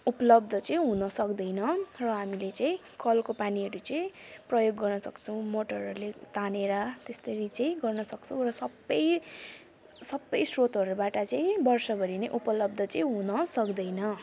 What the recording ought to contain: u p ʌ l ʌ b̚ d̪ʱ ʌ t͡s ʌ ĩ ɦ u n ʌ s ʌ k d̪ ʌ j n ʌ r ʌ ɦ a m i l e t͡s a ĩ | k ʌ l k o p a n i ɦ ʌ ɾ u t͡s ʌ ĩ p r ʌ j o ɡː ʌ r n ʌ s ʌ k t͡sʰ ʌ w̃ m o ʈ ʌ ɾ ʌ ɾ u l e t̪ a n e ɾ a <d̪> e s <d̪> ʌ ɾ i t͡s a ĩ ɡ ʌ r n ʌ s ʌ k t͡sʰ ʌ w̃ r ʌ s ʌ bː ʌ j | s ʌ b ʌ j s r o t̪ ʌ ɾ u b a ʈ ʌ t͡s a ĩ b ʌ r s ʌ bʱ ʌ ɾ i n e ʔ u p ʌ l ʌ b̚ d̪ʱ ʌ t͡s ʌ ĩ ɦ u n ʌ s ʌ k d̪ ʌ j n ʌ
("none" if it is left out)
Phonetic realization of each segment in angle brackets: t̪, t̪

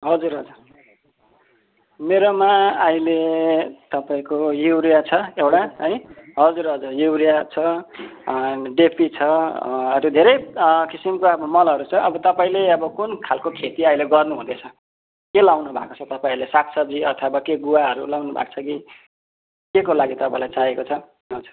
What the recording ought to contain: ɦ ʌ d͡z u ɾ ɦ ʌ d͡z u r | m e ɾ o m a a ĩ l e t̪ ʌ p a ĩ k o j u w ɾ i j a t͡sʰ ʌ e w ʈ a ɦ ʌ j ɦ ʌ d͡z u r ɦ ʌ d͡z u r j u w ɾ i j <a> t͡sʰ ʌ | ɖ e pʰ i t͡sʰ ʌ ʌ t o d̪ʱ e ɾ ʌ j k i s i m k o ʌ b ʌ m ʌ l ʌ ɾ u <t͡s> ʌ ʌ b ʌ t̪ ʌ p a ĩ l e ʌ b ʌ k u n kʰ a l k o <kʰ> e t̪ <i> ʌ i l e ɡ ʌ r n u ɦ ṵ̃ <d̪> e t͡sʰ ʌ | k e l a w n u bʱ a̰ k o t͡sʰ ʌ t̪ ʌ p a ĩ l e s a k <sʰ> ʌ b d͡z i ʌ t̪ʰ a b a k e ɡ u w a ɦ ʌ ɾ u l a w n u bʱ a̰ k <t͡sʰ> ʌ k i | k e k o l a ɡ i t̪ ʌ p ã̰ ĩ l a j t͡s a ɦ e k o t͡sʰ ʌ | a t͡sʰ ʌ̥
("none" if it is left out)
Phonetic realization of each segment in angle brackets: a, t͡sʰ, kʰ, i, d̪, sʰ, t͡sʰ

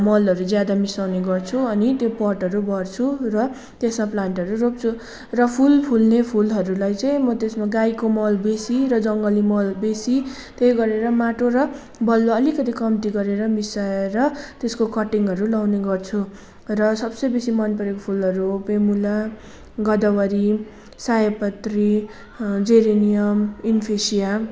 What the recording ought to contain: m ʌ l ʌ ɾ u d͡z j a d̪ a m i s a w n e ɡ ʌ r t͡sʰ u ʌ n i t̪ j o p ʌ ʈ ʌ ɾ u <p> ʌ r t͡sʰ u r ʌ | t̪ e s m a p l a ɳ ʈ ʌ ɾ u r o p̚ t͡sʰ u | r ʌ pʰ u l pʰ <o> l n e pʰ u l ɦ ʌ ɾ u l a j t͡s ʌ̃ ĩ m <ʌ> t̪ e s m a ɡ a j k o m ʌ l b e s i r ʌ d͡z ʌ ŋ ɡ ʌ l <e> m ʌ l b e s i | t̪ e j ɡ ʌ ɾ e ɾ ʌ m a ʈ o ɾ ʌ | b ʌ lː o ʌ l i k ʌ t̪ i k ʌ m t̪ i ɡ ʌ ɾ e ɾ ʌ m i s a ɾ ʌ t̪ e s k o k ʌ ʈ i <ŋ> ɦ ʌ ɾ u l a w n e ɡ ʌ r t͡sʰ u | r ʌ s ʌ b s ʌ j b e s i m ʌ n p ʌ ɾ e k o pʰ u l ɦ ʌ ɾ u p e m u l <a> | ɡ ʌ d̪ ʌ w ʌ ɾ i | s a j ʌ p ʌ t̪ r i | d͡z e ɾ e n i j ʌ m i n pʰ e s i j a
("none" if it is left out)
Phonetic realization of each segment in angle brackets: b, u, ʌ, i, ŋ, a

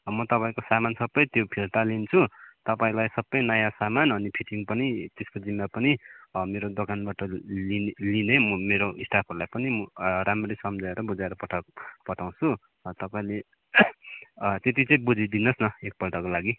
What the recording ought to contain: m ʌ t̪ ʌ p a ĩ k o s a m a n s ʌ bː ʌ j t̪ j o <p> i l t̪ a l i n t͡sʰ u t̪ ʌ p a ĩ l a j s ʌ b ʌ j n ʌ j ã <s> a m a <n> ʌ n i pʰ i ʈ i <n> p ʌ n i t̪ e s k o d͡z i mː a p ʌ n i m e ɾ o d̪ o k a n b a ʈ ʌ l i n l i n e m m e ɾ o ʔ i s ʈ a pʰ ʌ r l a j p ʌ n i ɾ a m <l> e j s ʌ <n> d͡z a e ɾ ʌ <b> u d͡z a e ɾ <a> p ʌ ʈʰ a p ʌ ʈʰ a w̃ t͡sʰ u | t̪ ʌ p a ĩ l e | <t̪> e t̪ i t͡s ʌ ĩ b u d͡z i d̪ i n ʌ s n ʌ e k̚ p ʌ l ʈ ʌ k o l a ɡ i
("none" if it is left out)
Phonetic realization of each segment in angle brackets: pʰ, s, n, ŋ, r, m, b, ʌ, t̪

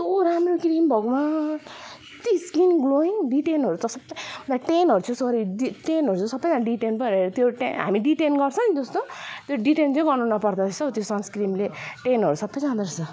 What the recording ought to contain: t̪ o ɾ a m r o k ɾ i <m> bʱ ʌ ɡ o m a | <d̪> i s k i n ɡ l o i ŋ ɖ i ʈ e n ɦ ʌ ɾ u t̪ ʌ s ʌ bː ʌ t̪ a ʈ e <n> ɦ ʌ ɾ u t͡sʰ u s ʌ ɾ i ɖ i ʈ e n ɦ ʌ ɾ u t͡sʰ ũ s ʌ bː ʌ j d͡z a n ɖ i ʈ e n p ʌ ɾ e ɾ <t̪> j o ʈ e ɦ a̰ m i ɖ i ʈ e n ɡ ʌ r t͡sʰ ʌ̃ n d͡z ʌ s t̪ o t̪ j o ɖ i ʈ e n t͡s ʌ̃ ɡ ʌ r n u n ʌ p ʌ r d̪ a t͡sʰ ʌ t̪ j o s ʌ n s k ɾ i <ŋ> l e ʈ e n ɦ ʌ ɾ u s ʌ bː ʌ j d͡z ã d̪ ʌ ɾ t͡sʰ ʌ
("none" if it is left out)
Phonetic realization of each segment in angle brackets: m, t̪, n, t̪, m

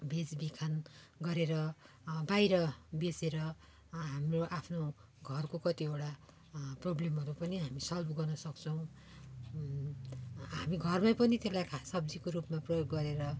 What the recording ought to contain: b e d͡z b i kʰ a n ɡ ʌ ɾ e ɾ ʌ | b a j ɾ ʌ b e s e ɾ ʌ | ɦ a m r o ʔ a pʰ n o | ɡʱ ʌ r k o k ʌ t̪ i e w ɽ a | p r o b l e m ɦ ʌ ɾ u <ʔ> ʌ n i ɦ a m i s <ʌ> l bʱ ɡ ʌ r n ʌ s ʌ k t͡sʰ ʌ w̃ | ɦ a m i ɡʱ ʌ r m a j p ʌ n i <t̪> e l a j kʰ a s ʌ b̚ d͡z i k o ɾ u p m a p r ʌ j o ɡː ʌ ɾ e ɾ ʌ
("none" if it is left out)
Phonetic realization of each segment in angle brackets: p, ʌ, t̪

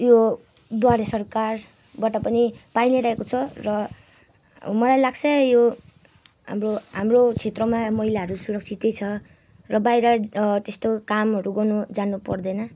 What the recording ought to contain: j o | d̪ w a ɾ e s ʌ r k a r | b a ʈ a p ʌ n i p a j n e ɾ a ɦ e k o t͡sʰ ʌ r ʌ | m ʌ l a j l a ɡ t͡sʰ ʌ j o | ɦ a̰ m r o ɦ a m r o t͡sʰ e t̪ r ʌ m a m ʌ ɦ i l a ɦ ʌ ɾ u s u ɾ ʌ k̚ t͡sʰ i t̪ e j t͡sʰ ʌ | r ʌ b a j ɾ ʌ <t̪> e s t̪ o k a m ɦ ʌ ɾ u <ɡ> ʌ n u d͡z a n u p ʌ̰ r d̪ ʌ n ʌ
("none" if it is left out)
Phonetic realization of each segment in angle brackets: t̪, ɡ

